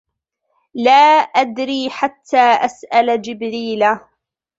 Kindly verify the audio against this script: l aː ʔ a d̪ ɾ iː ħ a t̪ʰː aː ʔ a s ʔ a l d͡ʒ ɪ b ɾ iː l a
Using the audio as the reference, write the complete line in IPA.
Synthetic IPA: l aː ʔ a d̪ ɾ iː ħ a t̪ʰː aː ʔ a s ʔ a l d͡ʒ ɪ b ɾ iː l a